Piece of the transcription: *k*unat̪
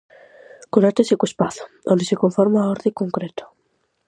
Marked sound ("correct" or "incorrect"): correct